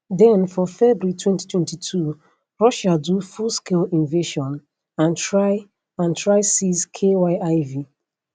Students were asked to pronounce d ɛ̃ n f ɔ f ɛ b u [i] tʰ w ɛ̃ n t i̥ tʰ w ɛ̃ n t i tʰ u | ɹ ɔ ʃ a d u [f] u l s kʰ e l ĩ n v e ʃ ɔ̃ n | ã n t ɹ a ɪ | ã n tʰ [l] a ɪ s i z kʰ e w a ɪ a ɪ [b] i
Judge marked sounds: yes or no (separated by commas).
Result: yes, yes, no, no